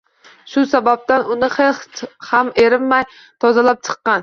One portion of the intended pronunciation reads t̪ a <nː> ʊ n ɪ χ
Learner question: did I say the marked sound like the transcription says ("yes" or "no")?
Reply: no